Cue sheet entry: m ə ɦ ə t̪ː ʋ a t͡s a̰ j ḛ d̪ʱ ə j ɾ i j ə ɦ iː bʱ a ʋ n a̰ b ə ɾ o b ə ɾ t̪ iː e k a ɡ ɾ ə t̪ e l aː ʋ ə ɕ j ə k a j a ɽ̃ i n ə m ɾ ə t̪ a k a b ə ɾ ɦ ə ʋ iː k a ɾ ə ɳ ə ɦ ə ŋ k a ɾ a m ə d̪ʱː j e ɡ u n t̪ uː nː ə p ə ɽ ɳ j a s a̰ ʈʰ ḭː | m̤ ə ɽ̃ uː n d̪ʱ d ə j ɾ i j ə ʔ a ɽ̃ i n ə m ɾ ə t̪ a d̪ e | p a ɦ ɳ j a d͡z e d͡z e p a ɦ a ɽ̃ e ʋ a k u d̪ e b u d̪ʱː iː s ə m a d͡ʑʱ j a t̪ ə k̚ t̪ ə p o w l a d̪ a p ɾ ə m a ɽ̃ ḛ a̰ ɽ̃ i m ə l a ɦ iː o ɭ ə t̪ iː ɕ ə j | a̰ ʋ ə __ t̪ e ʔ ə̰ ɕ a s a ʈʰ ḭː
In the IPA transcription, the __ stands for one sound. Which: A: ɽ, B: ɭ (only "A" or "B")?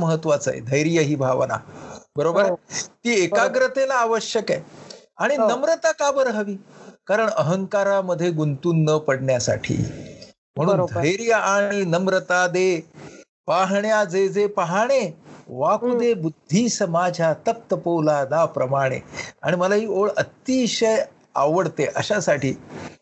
A